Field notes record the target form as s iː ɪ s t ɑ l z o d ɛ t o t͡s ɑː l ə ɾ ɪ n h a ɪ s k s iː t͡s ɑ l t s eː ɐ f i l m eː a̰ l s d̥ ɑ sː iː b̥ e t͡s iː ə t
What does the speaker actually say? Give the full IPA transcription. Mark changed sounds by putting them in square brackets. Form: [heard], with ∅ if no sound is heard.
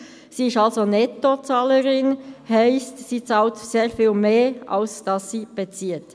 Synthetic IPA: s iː ɪ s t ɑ l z o [n] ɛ t o t͡s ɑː l ə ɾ ɪ n h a ɪ s [t] s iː t͡s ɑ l t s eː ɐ f [iː] l m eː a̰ l s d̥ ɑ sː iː b̥ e t͡s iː ə t